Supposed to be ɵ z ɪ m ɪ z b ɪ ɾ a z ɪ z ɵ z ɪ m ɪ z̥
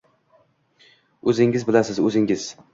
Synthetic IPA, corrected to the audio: ɵ z ɪ ŋ ɪ z b ɪ l a s ɪ z ɵ z ɪ ŋ ɪ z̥